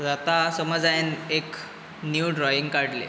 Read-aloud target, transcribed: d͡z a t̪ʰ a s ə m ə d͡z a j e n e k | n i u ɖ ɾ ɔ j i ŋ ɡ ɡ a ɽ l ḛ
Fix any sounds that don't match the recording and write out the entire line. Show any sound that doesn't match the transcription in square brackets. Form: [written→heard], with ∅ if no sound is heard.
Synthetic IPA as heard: d͡z a [t̪ʰ→t̪] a s ə m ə d͡z a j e n e k | n [i→j] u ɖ ɾ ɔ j i ŋ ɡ [ɡ→k] a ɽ l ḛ